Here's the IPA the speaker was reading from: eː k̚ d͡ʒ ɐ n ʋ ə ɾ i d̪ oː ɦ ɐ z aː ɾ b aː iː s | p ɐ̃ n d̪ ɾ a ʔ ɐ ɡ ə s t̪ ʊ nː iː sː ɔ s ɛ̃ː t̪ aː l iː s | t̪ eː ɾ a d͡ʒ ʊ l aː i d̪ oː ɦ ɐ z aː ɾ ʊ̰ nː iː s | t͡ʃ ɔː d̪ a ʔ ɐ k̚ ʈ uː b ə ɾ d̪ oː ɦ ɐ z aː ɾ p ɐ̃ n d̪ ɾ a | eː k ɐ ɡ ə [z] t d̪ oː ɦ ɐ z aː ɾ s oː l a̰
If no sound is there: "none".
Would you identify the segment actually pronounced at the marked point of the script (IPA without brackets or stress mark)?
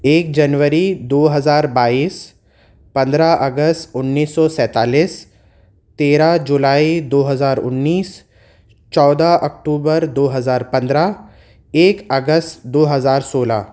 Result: s